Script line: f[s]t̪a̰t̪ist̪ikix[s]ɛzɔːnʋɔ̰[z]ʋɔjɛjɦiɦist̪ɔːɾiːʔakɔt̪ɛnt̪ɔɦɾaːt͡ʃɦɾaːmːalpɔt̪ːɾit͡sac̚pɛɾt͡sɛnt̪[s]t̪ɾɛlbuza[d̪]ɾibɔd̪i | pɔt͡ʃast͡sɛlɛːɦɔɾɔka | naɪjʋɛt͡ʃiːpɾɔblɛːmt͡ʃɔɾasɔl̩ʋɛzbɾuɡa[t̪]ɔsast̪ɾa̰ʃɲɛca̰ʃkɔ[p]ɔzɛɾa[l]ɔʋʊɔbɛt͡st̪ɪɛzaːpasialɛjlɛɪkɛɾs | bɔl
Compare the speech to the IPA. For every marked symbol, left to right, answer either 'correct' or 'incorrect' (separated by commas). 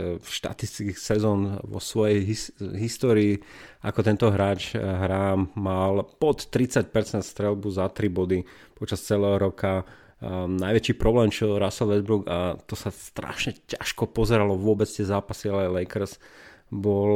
incorrect, correct, incorrect, correct, incorrect, correct, correct, correct